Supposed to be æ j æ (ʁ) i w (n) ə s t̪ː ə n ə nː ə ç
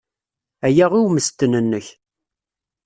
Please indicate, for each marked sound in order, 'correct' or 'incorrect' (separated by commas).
correct, incorrect